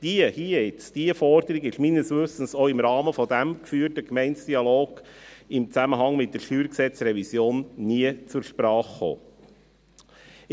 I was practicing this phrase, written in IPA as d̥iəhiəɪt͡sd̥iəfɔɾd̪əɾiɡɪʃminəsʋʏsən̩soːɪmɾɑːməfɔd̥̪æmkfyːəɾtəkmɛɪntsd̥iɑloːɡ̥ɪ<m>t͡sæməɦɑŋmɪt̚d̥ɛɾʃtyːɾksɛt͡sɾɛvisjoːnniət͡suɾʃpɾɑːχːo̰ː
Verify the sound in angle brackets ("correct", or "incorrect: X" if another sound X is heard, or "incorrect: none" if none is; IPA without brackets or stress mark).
correct